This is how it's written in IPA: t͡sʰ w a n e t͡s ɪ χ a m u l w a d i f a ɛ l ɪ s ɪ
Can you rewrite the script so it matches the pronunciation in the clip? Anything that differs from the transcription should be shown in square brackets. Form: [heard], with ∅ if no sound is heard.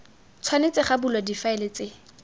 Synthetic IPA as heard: t͡sʰ w a n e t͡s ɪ χ a [b] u l w a d i f a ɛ l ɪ [t͡s] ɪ

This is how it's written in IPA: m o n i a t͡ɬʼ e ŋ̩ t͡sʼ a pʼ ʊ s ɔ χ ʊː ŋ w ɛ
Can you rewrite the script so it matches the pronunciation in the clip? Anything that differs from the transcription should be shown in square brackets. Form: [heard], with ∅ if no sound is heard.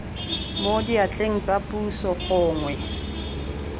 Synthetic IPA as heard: m o [d] i a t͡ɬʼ e ŋ̩ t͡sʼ a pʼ [u] s ɔ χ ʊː ŋ w ɛ

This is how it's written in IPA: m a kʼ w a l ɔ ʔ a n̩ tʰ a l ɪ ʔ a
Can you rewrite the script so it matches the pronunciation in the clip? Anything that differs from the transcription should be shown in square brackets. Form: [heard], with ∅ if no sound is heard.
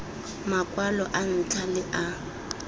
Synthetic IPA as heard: m a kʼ w a l ɔ ʔ a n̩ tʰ a l ɪ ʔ a

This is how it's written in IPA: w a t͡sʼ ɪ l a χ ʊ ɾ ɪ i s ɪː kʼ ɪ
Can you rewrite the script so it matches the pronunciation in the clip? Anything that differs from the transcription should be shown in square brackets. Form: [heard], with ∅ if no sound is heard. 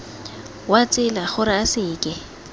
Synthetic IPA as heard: w a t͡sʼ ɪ l a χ ʊ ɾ ɪ [a] s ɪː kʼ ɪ

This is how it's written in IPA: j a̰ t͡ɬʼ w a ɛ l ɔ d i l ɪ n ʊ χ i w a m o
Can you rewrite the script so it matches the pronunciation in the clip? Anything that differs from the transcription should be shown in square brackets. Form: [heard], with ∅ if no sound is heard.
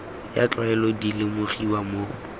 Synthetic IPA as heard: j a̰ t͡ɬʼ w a ɛ l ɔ d i l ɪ [m] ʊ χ i w a m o

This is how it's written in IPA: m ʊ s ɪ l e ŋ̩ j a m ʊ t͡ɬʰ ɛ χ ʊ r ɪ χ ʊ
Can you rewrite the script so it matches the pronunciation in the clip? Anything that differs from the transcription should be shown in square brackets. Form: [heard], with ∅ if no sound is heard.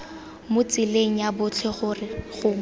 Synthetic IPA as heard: m ʊ [t͡s] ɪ l e ŋ̩ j a [b] ʊ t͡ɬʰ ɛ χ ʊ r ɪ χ ʊ

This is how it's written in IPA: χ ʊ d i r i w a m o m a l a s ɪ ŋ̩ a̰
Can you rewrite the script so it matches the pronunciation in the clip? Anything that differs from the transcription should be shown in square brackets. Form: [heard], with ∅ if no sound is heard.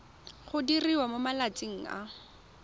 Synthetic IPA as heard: χ ʊ d i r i w a m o m a l a [t͡s] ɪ ŋ̩ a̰

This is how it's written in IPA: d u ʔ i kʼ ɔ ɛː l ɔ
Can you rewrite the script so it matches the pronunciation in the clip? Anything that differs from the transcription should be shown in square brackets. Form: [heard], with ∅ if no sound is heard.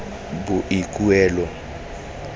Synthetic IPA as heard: [b] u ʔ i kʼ [u] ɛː l ɔ

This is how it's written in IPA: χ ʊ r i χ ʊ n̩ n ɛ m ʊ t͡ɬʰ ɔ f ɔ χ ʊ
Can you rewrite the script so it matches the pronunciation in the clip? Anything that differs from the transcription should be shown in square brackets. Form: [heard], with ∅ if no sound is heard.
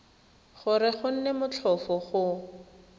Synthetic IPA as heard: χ ʊ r [ɪ] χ ʊ n̩ n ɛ m ʊ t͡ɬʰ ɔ f ɔ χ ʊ

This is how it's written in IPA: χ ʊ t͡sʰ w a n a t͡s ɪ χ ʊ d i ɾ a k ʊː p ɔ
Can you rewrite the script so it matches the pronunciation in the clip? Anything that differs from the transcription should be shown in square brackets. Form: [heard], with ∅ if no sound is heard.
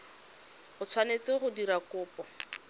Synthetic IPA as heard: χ ʊ t͡sʰ w a n [e] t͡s ɪ χ ʊ d i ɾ a k ʊː p ɔ

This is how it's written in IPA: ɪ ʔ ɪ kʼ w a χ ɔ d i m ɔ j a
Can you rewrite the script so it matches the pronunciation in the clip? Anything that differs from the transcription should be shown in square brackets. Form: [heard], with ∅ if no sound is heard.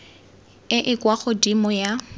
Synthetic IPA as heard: ɪ ʔ ɪ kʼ w a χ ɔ d i m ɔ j a

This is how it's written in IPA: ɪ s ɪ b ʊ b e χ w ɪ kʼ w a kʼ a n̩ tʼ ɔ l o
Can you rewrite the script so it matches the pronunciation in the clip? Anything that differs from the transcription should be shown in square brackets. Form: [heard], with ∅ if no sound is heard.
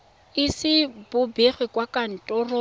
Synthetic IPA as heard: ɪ s ɪ b ʊ b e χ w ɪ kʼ w a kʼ a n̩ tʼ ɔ [r] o

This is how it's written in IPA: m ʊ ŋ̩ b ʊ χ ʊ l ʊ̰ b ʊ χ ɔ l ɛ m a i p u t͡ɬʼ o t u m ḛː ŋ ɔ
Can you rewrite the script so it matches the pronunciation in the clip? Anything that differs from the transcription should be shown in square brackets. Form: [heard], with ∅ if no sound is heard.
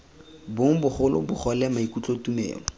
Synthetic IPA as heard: [b] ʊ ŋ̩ b ʊ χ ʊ l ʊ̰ b ʊ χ ɔ l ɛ m a i [k] u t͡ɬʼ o t u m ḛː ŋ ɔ

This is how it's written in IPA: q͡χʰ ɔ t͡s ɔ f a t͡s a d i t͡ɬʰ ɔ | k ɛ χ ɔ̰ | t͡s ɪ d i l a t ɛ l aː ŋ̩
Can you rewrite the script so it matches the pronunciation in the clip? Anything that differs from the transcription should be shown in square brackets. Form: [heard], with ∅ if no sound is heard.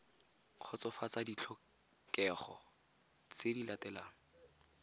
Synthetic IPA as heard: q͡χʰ ɔ t͡s ɔ f a t͡s a d i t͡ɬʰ ɔ | k ɛ χ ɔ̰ | t͡s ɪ d i l a t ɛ l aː ŋ̩

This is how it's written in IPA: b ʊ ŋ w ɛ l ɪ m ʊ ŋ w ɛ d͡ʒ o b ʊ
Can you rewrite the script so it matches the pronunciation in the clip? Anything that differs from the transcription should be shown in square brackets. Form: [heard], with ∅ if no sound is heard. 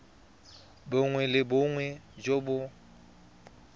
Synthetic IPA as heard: b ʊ ŋ w ɛ l ɪ [b] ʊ ŋ w ɛ d͡ʒ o b ʊ

